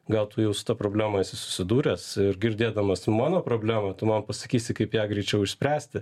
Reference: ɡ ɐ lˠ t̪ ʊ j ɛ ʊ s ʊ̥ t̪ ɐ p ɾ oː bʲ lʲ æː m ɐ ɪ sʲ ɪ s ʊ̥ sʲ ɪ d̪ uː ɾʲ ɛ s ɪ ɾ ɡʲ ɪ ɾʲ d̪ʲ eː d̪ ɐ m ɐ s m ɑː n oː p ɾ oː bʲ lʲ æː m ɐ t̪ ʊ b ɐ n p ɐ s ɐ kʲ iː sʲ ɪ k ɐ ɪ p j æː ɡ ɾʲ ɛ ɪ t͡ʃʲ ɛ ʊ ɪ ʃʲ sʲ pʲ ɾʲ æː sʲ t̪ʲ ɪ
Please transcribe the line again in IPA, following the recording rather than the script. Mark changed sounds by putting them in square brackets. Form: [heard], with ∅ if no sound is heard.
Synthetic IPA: ɡ ɐ lˠ t̪ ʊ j ɛ ʊ s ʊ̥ t̪ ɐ p ɾ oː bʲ lʲ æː m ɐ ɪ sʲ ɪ s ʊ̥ sʲ ɪ d̪ uː ɾʲ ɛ s ɪ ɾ ɡʲ ɪ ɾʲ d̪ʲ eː d̪ ɐ m ɐ s m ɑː n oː p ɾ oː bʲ lʲ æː m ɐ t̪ ʊ [m] ɐ n p ɐ s ɐ kʲ iː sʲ ɪ k ɐ ɪ p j æː ɡ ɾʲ ɛ ɪ t͡ʃʲ ɛ ʊ ɪ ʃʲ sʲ pʲ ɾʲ æː sʲ t̪ʲ ɪ